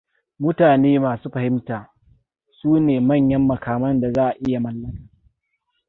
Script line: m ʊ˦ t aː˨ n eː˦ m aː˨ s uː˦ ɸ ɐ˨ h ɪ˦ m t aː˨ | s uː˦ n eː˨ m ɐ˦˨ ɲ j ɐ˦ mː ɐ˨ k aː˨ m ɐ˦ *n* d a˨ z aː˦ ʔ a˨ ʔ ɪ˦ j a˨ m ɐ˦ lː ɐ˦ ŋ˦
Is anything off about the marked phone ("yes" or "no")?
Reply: no